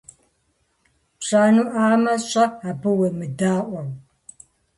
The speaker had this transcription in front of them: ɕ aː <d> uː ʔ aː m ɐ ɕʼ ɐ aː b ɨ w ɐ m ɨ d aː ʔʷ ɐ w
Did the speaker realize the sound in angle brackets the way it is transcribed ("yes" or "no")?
no